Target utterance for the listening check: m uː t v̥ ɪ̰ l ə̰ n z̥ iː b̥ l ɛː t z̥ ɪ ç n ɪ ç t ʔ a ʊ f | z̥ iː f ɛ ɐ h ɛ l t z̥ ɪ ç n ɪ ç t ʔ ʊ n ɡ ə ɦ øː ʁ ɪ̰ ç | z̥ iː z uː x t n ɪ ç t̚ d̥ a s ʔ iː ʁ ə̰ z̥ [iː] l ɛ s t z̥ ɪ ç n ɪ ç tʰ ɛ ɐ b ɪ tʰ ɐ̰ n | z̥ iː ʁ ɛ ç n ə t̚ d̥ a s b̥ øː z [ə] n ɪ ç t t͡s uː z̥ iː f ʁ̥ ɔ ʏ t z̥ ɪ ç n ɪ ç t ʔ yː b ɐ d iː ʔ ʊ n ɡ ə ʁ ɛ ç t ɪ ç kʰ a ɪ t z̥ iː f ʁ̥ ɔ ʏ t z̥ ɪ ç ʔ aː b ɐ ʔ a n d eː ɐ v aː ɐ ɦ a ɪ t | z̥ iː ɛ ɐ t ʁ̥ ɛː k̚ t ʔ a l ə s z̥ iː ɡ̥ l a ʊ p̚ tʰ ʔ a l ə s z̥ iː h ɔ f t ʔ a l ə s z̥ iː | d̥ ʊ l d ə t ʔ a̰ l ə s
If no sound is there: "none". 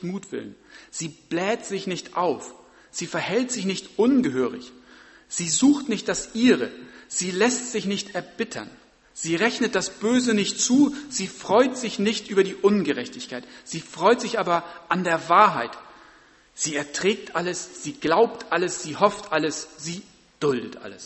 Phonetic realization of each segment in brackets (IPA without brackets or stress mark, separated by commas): iː, ə